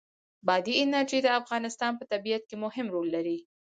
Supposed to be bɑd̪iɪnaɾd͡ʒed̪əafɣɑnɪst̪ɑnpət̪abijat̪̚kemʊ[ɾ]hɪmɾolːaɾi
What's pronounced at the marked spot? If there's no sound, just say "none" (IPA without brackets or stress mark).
none